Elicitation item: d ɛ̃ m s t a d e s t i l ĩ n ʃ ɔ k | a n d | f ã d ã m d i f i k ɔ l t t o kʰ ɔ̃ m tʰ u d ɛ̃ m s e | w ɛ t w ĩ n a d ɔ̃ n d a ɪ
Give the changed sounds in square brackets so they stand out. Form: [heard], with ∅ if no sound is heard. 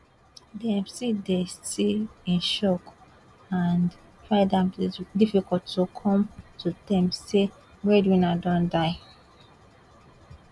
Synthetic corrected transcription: d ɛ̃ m s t [i] d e s t i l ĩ n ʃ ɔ k | a n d | f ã d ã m d i f i k ɔ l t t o kʰ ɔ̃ m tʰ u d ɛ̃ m s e | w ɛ [d] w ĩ n a d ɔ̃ n d a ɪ